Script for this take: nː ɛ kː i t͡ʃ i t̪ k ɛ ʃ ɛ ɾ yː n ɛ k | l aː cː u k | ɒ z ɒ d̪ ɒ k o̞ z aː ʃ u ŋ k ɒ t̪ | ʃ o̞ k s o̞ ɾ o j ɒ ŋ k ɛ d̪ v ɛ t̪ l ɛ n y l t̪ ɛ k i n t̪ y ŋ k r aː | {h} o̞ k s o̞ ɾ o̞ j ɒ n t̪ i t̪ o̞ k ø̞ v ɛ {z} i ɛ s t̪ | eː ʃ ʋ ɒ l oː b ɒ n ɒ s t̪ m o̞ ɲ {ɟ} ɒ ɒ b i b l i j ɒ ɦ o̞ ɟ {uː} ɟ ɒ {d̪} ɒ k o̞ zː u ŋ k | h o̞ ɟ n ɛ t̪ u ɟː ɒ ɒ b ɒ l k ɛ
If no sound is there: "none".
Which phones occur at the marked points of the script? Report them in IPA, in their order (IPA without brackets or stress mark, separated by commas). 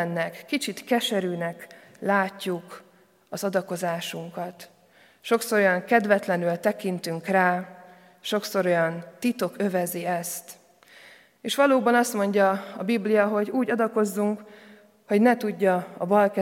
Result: ʃ, z, ɟ, uː, d̪